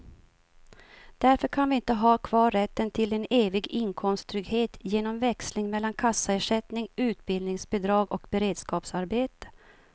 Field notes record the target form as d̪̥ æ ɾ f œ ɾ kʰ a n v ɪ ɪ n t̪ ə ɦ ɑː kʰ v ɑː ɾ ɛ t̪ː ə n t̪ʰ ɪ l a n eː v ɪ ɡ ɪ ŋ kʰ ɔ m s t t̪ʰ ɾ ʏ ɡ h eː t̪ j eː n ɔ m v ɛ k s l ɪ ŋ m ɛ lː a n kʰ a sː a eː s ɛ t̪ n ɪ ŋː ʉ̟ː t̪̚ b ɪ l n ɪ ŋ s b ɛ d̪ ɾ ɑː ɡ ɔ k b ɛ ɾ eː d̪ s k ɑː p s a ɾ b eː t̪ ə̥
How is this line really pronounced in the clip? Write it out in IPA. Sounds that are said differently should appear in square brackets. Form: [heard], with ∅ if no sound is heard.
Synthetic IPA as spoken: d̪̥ æ ɾ f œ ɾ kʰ a n v ɪ ɪ n t̪ ə ɦ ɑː kʰ v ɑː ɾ ɛ t̪ː ə n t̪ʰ ɪ l [ɛ] n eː v ɪ ɡ ɪ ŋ kʰ ɔ m s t t̪ʰ ɾ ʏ ɡ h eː t̪ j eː n ɔ m v ɛ k s l ɪ ŋ m ɛ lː a n kʰ a sː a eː [ʂ] ɛ t̪ n ɪ [ŋ] ʉ̟ː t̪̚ b ɪ l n ɪ ŋ s b ɛ d̪ ɾ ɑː ɡ ɔ k b ɛ ɾ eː d̪ s k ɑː p s a ɾ b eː t̪ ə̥